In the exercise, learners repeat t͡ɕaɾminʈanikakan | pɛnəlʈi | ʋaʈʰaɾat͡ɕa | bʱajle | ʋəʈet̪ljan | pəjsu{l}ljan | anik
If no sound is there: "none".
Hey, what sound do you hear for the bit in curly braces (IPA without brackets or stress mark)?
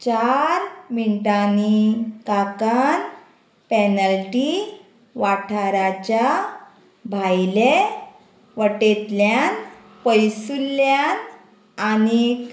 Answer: l